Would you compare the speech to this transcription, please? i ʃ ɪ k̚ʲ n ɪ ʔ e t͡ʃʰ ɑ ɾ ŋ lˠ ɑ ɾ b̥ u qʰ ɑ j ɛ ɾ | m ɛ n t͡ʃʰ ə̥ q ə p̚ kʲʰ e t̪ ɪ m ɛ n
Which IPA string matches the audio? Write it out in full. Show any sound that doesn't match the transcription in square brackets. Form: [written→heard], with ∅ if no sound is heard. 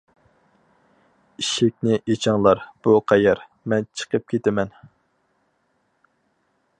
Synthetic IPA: i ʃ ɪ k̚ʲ n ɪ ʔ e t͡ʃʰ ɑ [ɾ→∅] ŋ lˠ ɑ ɾ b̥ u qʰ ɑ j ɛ ɾ | m ɛ n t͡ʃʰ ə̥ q ə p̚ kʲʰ e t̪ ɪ m ɛ n